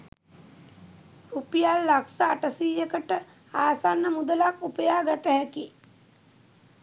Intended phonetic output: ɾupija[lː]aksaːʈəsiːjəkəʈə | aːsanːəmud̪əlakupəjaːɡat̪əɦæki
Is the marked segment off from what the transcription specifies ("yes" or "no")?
no